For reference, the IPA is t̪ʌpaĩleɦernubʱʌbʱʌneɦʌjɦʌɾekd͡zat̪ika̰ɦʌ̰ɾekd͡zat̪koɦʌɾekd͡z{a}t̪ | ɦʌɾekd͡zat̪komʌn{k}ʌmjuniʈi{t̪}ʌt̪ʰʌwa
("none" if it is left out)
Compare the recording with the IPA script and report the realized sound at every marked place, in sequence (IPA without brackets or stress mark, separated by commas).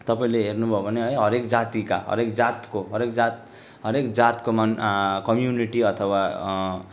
a, k, none